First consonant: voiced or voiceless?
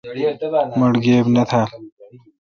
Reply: voiced